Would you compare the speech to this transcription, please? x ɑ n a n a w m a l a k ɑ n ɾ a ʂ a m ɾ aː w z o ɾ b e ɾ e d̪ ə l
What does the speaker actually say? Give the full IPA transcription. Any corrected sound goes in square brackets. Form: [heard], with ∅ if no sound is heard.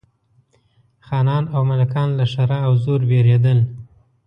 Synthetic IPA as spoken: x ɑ n [ɑ] n a w m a l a k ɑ n [l] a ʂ a [∅] ɾ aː w z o ɾ b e ɾ e d̪ ə l